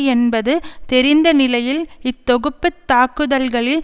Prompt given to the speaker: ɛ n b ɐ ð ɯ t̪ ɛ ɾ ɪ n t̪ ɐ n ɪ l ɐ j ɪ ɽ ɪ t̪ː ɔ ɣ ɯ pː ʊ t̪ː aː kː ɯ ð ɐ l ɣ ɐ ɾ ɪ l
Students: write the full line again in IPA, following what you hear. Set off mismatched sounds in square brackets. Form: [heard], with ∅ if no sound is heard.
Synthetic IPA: ɛ n b ɐ ð ɯ t̪ ɛ ɾ ɪ n [d̪] ɐ n ɪ l ɐ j ɪ [l] ɪ t̪ː ɔ ɣ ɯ pː [ɯ] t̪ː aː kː ɯ ð ɐ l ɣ ɐ [ɭ] ɪ l